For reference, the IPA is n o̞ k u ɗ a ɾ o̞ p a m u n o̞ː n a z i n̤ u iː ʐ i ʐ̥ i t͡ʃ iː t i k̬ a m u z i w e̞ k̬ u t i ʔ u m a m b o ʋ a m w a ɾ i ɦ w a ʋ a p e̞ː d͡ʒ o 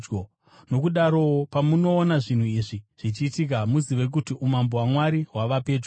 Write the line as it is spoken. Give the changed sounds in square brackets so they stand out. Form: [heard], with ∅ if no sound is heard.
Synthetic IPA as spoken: n o̞ k u ɗ a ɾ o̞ p a m u n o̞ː n a [ʐ] i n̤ u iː ʐ i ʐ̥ i t͡ʃ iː t i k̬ a m u z i [ʋ] e̞ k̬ u t i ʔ u m a m b o [w] a m w a ɾ i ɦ w a ʋ a p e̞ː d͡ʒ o